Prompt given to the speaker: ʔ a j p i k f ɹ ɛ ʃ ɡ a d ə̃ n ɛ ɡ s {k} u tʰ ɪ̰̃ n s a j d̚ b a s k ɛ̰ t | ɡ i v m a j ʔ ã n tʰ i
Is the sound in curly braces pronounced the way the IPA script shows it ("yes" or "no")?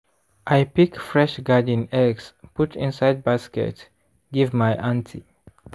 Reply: no